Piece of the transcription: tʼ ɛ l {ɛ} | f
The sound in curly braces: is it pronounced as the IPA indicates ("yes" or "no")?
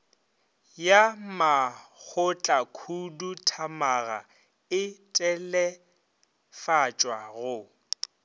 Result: yes